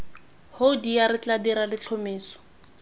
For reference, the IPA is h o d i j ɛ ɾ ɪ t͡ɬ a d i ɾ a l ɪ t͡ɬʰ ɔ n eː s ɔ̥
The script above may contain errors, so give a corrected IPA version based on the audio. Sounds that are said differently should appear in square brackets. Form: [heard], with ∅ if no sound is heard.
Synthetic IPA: h o d i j [a] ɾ ɪ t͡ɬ a d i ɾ a l ɪ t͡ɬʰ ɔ [m] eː s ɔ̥